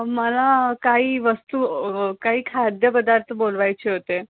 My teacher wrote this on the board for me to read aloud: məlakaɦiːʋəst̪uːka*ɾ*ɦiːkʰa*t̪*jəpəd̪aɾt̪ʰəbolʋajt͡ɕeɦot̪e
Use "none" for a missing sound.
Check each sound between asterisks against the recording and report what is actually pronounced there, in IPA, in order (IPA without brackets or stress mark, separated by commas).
none, d̪